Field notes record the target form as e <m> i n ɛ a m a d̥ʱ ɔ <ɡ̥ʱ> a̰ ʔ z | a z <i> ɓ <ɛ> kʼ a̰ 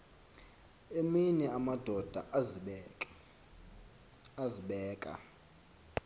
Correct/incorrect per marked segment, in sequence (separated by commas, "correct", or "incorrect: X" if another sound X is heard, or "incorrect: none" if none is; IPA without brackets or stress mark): correct, incorrect: d̥ʱ, correct, incorrect: ɛː